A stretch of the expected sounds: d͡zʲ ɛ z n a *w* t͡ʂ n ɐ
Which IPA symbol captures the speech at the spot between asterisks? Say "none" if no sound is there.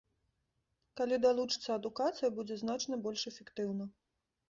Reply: none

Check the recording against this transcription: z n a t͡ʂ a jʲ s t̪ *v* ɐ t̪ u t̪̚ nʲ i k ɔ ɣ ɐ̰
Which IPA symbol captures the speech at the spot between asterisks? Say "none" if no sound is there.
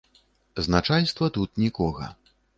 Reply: v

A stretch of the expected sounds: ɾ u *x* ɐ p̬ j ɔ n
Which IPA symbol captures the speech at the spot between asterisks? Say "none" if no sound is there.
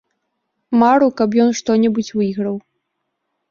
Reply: k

